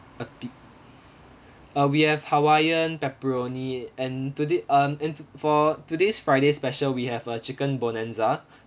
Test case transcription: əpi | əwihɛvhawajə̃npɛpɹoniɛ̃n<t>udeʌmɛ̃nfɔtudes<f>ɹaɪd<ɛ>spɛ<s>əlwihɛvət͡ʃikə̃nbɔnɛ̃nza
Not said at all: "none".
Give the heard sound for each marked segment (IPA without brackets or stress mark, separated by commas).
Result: t, f, e, ʃ